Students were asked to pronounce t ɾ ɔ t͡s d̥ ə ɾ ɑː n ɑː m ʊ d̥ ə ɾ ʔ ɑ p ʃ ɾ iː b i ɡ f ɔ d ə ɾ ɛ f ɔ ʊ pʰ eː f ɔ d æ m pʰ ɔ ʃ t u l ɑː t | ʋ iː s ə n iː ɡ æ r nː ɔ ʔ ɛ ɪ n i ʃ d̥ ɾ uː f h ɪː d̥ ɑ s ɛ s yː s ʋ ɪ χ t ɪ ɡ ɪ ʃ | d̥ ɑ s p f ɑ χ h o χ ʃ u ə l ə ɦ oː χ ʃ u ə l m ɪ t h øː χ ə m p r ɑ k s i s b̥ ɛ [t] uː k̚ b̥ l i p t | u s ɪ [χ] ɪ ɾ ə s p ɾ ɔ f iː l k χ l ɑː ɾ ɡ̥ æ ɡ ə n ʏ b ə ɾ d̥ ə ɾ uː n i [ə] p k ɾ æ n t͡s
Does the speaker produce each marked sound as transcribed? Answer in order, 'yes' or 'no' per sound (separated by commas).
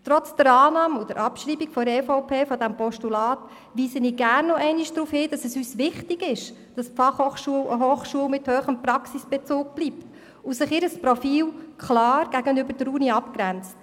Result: no, yes, no